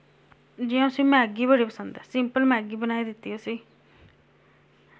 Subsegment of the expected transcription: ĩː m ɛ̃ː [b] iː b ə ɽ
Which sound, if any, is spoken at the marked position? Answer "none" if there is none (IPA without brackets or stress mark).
ɡ